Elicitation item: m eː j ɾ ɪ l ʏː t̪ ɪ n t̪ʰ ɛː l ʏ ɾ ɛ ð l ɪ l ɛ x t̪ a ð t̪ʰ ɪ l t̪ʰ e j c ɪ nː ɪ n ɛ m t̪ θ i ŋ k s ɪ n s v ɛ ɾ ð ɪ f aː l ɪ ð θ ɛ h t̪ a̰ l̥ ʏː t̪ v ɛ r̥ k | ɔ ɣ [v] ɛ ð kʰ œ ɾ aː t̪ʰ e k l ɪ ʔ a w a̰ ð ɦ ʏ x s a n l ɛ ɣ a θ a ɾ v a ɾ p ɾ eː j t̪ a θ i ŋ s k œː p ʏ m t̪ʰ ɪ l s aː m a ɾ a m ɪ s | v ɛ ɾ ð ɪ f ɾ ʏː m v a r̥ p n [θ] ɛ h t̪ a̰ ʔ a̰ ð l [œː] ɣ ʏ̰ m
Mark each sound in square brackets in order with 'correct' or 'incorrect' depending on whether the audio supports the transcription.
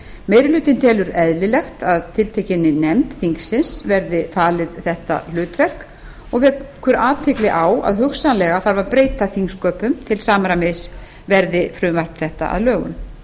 correct, correct, correct

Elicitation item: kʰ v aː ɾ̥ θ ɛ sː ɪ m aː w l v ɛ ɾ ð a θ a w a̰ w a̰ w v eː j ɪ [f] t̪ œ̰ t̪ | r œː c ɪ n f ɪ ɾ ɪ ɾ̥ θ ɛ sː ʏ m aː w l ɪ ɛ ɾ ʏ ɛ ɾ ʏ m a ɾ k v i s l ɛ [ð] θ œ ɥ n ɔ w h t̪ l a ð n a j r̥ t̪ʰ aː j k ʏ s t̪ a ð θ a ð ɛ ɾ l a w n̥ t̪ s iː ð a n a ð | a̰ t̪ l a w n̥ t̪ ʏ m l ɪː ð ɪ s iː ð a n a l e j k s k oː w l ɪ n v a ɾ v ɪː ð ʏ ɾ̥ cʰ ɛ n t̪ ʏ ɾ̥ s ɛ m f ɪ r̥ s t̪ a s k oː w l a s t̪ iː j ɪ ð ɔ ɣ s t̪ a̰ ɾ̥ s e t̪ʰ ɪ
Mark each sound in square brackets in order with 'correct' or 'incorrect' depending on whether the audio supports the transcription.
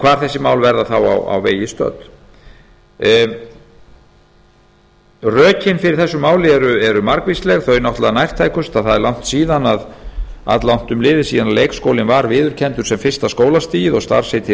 incorrect: s, incorrect: ɣ

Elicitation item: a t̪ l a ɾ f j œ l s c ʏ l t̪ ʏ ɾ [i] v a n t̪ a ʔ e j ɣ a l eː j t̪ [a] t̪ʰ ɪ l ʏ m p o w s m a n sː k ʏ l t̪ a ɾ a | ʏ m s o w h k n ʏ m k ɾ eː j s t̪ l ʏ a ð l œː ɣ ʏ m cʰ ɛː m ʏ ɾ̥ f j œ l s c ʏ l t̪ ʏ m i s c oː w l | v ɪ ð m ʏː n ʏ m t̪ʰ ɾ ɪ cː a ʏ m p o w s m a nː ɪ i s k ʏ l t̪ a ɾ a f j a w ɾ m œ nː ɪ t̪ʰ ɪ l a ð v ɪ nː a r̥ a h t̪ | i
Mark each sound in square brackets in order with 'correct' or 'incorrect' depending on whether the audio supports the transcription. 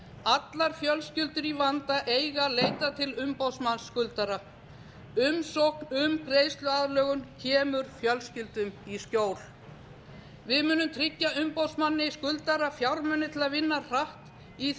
correct, correct

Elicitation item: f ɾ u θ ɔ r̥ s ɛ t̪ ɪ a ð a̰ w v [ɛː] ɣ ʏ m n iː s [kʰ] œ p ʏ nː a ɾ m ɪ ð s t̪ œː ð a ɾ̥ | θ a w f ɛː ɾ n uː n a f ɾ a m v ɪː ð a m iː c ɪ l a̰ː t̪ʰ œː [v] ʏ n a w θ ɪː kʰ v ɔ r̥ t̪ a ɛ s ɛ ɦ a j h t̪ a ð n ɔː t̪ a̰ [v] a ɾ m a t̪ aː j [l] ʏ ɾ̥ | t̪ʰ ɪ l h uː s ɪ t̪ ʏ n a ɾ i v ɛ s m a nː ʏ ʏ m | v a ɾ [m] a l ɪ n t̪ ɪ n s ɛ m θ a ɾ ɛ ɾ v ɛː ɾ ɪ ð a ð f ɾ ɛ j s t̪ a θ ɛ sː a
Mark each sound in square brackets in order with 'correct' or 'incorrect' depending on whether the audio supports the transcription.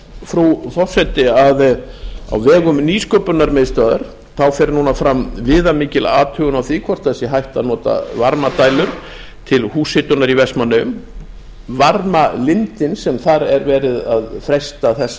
correct, incorrect: k, incorrect: ɣ, correct, correct, correct

